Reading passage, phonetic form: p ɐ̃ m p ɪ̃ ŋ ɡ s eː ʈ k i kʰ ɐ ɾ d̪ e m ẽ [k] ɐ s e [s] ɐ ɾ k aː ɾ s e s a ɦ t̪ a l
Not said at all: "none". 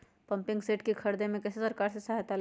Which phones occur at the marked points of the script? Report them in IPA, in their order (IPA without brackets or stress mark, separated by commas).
k, s